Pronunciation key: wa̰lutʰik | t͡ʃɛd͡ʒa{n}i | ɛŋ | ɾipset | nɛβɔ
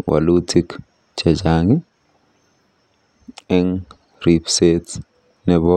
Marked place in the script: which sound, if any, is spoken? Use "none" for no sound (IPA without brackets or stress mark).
ŋ